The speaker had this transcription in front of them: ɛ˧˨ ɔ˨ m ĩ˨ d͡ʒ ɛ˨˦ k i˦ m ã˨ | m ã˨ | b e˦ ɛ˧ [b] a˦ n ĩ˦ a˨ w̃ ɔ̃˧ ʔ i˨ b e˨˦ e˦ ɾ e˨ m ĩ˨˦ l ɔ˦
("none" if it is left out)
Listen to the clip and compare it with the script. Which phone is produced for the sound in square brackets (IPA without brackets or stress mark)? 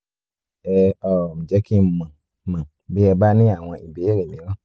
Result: b